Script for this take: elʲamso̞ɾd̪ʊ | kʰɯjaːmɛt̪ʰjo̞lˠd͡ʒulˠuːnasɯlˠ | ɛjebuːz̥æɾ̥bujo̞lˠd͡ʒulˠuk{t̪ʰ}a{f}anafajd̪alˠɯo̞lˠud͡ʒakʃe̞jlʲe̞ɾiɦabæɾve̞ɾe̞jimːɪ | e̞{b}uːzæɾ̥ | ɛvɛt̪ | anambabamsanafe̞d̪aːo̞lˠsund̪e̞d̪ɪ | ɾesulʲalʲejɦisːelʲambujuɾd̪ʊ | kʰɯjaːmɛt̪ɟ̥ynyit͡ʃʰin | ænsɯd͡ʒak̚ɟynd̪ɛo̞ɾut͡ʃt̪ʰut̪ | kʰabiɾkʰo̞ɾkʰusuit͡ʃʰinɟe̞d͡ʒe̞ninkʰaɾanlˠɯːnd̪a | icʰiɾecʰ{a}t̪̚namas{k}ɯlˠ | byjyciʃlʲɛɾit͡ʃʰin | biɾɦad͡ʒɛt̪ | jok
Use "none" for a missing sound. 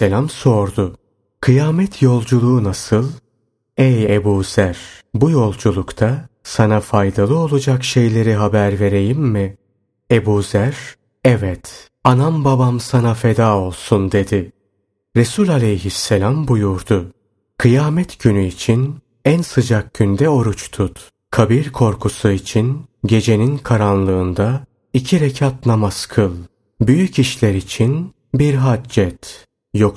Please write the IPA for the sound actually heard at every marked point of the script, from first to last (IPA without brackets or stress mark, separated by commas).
t̪ʰ, s, b, a, kʰ